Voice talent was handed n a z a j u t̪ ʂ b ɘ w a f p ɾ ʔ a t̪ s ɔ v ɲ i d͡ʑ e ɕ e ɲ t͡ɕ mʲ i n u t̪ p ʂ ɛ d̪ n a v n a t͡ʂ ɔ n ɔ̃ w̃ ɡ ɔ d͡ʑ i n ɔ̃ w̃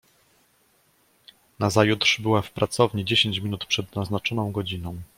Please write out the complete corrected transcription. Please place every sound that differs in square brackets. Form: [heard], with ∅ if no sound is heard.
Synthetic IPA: n a z a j u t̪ ʂ b ɘ w a f p ɾ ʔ a t̪ s ɔ v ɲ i d͡ʑ e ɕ e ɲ t͡ɕ mʲ i n u t̪ p ʂ ɛ d̪ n a [z] n a t͡ʂ ɔ n ɔ̃ w̃ ɡ ɔ d͡ʑ i n ɔ̃ w̃